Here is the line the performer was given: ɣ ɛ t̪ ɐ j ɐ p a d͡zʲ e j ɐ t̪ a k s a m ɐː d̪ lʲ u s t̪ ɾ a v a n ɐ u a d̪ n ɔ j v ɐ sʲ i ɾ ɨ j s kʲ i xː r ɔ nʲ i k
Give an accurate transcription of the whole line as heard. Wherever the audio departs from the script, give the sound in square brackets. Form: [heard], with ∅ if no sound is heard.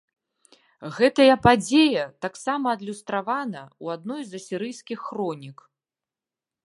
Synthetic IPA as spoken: ɣ ɛ t̪ ɐ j ɐ p a d͡zʲ e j ɐ t̪ a k s a m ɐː d̪ lʲ u s t̪ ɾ a v a n ɐ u a d̪ n ɔ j [z] ɐ sʲ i ɾ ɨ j s kʲ i xː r ɔ nʲ i k